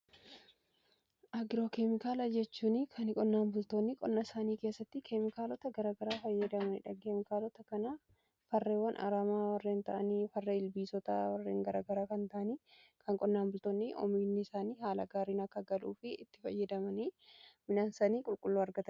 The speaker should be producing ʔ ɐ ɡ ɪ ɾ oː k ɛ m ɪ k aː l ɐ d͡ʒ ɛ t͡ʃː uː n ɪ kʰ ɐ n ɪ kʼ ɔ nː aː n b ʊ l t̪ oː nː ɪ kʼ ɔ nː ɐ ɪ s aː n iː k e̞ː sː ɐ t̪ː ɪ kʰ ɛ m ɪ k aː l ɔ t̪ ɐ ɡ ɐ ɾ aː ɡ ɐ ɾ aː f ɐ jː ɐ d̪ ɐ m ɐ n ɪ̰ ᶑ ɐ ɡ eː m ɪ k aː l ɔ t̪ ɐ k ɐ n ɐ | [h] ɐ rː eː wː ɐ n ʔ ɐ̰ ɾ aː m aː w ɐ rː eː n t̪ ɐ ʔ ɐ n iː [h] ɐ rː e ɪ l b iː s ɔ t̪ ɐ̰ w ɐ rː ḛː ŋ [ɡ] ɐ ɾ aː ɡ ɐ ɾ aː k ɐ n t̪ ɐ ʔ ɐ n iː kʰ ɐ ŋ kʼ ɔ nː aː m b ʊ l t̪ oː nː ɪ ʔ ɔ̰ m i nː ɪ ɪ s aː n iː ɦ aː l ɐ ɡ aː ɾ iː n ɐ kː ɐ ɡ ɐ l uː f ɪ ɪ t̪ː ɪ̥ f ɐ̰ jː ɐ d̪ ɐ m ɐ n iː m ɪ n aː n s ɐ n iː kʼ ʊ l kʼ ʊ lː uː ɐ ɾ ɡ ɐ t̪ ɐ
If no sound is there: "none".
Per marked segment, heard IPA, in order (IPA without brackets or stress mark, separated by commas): f, f, ɡ